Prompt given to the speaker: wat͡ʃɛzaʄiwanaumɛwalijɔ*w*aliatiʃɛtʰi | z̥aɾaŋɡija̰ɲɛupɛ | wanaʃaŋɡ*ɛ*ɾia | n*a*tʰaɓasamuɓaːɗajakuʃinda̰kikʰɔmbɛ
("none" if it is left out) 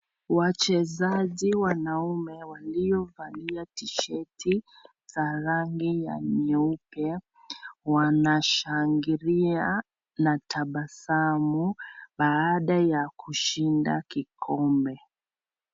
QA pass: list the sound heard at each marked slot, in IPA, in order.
v, i, a

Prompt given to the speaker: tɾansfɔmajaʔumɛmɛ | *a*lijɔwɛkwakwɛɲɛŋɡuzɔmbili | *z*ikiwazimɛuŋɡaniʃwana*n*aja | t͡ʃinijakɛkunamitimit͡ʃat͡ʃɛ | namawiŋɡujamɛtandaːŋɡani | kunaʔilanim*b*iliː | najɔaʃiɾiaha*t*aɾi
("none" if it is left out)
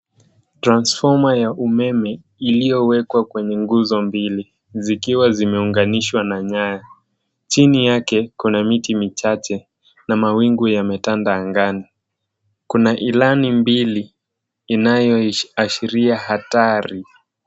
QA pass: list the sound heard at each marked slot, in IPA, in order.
i, z, ɲ, b, t

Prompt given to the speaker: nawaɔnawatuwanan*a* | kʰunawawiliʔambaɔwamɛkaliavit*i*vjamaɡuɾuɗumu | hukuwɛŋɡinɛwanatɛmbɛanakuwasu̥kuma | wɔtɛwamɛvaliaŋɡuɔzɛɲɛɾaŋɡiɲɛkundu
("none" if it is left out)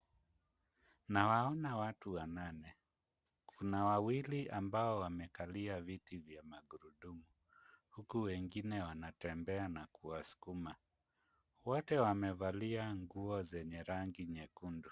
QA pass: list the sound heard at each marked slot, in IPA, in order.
ɛ, i

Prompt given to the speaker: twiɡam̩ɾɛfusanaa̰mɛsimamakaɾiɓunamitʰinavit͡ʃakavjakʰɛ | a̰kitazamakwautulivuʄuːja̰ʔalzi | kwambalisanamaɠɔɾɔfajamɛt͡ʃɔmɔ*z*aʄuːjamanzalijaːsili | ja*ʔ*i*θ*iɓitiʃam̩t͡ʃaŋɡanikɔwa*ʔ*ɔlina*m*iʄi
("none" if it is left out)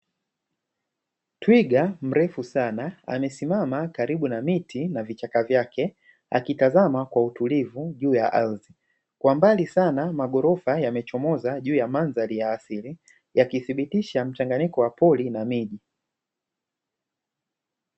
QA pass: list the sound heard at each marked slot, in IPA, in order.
z, k, θ, p, m

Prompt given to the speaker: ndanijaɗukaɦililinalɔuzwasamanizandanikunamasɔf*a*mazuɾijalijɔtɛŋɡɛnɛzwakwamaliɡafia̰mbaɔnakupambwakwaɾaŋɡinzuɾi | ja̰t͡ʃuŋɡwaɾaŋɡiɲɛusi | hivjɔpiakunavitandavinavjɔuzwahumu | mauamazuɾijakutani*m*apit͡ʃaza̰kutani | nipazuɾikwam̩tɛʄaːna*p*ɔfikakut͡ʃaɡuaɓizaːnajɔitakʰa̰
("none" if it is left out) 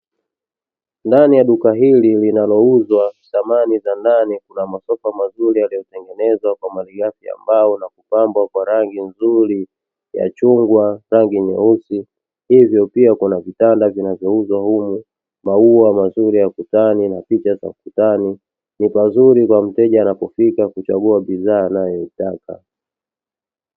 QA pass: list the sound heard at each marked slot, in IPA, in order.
a, n, p

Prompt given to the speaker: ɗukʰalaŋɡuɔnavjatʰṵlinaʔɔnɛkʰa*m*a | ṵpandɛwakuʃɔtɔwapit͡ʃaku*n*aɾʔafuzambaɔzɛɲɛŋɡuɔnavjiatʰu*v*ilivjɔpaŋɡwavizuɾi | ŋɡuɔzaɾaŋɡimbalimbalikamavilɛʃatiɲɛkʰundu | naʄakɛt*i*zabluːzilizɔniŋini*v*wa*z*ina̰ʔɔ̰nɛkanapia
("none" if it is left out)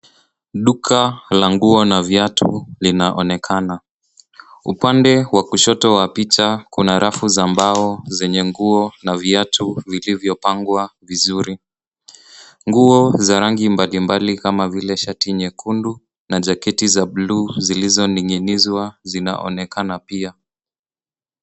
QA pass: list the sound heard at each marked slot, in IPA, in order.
n, n, v, i, z, z

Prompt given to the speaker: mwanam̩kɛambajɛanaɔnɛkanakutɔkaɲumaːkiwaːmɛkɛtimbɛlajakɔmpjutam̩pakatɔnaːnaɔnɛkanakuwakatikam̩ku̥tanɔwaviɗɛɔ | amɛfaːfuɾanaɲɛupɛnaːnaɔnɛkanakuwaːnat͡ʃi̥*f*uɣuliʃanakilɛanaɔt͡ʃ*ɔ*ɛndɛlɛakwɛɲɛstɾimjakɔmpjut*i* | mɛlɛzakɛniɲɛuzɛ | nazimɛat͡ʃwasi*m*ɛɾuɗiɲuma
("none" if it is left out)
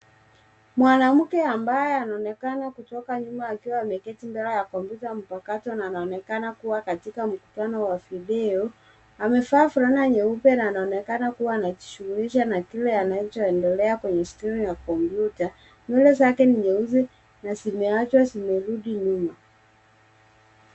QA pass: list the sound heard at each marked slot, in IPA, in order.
ʃ, ɔ, a, m

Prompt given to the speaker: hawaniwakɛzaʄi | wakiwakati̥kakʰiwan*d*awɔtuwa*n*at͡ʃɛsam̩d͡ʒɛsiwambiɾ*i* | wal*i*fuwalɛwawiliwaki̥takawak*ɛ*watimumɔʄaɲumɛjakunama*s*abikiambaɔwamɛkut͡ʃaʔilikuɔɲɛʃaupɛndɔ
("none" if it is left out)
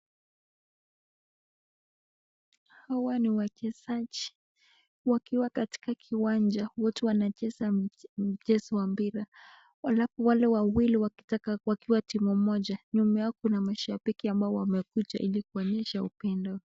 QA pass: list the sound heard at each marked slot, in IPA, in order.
d͡ʒ, n, a, a, i, ʃ

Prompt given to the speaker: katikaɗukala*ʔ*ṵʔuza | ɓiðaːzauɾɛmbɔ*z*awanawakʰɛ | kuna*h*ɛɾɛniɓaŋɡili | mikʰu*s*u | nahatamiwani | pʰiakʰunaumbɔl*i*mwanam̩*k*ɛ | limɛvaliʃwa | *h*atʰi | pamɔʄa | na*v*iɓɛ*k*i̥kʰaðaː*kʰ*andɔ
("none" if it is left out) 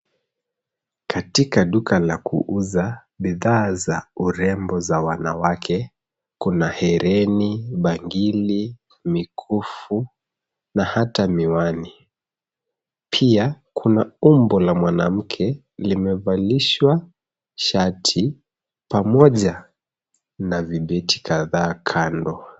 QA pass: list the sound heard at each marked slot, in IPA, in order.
k, z, h, f, a, kʰ, ʃ, v, t, kʰ

